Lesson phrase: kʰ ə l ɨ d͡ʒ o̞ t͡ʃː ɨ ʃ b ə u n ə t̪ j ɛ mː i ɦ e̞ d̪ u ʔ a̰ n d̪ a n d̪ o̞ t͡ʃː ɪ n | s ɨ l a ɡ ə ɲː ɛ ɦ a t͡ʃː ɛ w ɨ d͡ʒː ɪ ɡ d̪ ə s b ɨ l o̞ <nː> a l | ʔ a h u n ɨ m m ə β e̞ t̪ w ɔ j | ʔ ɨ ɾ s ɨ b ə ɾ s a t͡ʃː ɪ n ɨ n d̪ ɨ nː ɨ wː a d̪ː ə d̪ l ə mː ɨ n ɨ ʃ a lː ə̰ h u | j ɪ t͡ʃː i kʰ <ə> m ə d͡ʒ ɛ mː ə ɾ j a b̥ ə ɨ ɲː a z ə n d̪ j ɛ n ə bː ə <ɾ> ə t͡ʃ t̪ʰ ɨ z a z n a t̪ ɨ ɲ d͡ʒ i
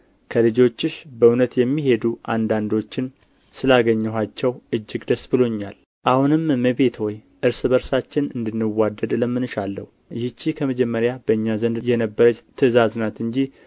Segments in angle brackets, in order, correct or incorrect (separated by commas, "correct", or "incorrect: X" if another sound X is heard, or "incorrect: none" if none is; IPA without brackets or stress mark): incorrect: ɲː, correct, correct